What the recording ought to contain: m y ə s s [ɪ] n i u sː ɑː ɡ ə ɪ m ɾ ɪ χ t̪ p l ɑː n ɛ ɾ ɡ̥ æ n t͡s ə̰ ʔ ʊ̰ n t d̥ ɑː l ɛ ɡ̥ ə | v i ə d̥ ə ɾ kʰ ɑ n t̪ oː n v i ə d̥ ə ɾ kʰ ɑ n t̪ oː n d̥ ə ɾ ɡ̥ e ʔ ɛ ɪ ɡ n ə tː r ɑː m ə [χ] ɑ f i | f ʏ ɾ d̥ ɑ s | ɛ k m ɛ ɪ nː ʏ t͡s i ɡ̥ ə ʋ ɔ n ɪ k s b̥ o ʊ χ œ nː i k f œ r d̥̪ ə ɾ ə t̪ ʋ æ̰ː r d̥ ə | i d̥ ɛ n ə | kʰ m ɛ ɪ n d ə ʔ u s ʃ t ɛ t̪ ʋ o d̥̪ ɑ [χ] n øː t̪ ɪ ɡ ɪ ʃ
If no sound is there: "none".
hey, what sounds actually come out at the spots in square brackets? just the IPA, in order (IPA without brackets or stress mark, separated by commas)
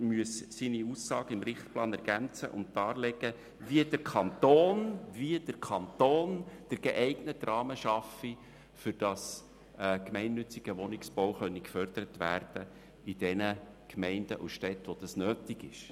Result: i, ʃ, s